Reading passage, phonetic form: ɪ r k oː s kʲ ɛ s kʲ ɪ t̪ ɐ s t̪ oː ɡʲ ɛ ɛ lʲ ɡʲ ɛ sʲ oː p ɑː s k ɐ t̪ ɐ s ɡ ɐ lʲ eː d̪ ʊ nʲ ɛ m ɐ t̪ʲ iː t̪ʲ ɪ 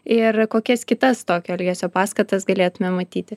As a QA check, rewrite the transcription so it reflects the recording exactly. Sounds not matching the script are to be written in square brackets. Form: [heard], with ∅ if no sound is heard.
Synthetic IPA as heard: ɪ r k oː [∅] kʲ ɛ s kʲ ɪ t̪ ɐ s t̪ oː [kʲ] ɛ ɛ lʲ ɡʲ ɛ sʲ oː p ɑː s k ɐ t̪ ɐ s ɡ ɐ lʲ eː [t̪] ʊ [mʲ] ɛ m ɐ t̪ʲ iː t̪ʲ ɪ